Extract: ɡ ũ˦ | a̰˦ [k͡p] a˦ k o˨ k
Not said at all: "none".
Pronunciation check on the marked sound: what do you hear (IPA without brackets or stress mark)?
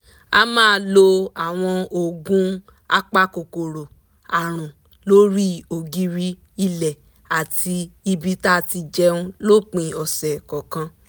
k͡p